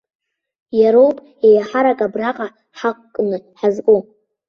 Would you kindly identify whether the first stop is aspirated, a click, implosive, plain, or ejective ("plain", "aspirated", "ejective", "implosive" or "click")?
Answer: ejective